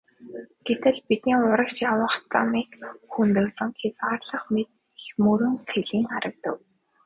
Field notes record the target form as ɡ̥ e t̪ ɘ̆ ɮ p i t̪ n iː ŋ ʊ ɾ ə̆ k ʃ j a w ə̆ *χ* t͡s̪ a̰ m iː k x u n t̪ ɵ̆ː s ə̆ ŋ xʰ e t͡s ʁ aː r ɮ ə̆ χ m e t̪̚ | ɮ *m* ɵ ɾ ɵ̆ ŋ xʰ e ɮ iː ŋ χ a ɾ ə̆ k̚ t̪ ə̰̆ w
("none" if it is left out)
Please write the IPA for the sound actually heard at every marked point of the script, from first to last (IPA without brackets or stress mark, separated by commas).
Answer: χ, m